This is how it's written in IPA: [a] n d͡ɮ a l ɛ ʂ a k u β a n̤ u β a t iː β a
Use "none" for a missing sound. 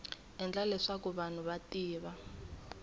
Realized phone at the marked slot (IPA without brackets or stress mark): ɛ